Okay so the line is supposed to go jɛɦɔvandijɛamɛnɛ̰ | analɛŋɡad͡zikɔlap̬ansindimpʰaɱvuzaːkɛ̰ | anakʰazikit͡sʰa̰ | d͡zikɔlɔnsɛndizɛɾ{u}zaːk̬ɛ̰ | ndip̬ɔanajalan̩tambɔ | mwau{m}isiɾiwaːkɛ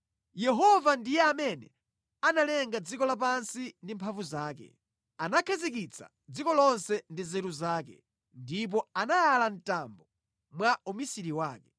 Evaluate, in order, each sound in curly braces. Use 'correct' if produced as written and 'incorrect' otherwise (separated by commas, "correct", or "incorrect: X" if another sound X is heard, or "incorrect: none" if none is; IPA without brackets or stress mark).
correct, correct